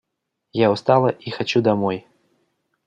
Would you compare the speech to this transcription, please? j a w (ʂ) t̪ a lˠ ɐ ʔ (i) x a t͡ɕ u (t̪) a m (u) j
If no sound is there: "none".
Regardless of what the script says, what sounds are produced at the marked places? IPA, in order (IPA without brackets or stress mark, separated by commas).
s, i, d̪, ɔ